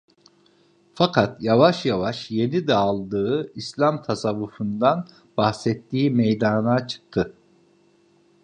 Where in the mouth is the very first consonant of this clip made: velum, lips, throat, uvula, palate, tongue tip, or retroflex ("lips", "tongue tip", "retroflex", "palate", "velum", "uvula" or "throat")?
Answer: lips